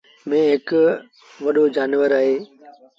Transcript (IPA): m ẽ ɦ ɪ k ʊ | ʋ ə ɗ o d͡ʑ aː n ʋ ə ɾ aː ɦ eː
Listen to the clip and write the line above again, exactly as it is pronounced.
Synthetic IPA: m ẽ ɦ ɪ k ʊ | ʋ ɐ ɗ o d͡ʑ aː n ʋ ə ɾ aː ɦ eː